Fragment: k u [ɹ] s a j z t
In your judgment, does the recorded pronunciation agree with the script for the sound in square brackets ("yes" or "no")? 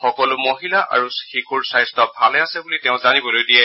yes